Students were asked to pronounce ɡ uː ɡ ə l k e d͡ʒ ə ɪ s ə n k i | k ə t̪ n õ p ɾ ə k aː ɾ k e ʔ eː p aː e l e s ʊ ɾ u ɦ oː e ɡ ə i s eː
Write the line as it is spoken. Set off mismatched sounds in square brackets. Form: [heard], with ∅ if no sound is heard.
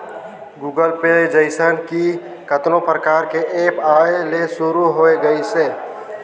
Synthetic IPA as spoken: ɡ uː ɡ ə l [p] e d͡ʒ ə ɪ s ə n k i | k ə t̪ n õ p ɾ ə k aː ɾ k e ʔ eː p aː e l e s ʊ ɾ u ɦ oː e ɡ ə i s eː

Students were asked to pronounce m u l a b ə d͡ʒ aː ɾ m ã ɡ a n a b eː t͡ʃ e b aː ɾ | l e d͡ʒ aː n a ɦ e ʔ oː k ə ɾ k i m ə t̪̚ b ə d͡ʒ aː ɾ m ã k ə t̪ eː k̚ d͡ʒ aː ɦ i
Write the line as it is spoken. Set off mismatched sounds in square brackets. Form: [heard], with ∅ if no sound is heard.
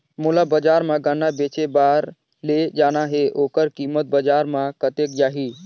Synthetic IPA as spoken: m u l a b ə d͡ʒ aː ɾ m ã ɡ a n a b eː t͡ʃ e b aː ɾ | l e d͡ʒ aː n a ɦ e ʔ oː k ə ɾ k i m ə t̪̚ b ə d͡ʒ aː ɾ m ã k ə t̪ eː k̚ d͡ʒ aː ɦ i

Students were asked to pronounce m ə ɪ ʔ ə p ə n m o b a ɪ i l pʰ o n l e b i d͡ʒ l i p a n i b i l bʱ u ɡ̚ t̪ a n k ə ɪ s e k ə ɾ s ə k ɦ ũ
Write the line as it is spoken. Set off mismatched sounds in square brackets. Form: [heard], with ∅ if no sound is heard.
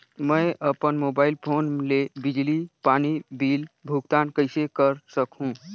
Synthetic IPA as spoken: m ə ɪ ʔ ə p ə n m o b a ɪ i l pʰ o n l e b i d͡ʒ l i p a n i b i l bʱ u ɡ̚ t̪ a n k ə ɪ s e k ə ɾ s ə k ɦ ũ

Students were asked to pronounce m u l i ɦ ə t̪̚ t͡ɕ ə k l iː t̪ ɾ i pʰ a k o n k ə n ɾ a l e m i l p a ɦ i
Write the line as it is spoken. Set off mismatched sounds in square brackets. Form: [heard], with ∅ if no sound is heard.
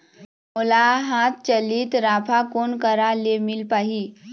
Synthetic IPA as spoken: m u l [a] ɦ [a] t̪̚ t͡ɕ ə [∅] l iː t̪ ɾ [a] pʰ a k o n k ə [∅] ɾ a l e m i l p a ɦ i

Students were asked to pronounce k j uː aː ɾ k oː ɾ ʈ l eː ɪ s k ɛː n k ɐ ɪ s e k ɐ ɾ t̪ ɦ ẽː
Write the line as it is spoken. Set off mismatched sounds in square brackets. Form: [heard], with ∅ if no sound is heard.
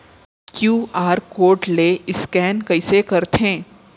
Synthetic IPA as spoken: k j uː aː ɾ k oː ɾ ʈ l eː ɪ s k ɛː n k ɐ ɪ s e k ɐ ɾ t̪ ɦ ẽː

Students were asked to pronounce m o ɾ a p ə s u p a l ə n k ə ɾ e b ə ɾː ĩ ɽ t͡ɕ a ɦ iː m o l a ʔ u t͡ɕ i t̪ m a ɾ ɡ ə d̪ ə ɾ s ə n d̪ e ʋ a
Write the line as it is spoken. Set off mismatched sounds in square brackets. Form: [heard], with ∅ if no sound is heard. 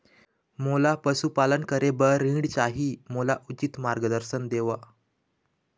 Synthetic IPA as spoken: m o [l] a p ə s u p a l ə n k ə ɾ e b ə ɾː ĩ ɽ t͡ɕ a ɦ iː m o l a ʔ u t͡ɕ i t̪ m a ɾ ɡ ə d̪ ə ɾ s ə n d̪ e ʋ a

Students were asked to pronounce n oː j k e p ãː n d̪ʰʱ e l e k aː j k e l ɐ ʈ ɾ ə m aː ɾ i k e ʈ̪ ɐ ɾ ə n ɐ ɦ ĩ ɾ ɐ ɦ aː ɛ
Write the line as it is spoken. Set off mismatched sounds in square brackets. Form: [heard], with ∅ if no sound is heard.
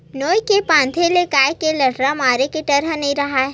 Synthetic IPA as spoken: n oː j k e p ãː n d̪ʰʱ e l e k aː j k e l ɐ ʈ ɾ [a] m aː ɾ [e] k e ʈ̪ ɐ ɾ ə n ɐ ɦ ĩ ɾ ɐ ɦ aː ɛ

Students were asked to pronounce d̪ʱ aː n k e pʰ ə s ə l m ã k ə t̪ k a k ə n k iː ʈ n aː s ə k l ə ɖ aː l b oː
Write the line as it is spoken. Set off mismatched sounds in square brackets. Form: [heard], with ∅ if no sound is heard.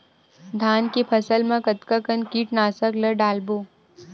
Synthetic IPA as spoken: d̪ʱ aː n k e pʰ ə s ə l m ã k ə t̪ k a k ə n k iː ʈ n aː s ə k l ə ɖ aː l b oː

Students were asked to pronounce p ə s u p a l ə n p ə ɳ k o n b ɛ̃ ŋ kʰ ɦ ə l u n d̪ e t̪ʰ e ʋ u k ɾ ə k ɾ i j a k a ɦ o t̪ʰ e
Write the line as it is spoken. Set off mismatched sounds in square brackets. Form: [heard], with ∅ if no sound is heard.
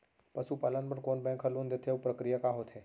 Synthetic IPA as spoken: p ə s u p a l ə n p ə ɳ k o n b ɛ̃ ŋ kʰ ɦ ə l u n d̪ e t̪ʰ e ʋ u [p] ɾ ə k ɾ i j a k a ɦ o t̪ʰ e

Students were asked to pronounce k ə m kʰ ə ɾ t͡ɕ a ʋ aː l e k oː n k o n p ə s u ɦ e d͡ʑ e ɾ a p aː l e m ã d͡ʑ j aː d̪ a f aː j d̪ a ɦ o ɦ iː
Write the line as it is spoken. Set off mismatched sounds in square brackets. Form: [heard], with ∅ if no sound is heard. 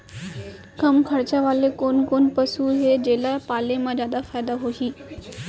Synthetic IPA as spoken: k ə m kʰ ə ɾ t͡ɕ a ʋ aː l e k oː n k o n p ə s u ɦ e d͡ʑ e [l] a p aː l e m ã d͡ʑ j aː d̪ a f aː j d̪ a ɦ o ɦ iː

